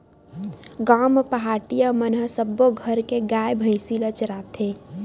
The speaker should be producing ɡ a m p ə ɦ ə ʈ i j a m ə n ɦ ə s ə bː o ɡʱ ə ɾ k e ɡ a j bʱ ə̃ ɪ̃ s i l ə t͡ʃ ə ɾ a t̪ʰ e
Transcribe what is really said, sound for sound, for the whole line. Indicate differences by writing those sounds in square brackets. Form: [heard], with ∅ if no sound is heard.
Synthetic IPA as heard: ɡ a m p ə ɦ [a] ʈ i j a m ə n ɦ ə s ə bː o ɡʱ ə ɾ k e ɡ a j bʱ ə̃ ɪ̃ s i l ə t͡ʃ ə ɾ a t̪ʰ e